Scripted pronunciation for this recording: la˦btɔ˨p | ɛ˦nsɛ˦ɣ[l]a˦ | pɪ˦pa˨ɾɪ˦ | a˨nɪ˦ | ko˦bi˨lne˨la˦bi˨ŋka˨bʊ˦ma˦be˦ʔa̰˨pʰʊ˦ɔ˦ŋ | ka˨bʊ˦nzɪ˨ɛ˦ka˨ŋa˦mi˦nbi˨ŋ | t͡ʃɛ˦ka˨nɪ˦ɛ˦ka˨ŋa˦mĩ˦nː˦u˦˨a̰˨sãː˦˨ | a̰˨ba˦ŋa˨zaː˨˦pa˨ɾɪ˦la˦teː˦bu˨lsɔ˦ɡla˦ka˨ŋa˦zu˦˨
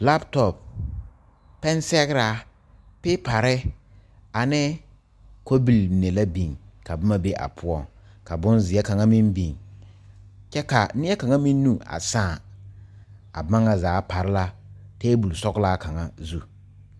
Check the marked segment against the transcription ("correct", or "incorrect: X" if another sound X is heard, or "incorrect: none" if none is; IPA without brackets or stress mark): incorrect: ɾ